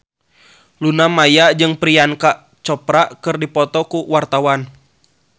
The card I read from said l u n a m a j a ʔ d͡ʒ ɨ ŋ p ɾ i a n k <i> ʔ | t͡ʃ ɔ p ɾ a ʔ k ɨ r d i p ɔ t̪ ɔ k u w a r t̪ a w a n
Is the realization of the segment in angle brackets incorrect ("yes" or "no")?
yes